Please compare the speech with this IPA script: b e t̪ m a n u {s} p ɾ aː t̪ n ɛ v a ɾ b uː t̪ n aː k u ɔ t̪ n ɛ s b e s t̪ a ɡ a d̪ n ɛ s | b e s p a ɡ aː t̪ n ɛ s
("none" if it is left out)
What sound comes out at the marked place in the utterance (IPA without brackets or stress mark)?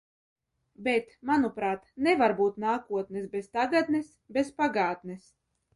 none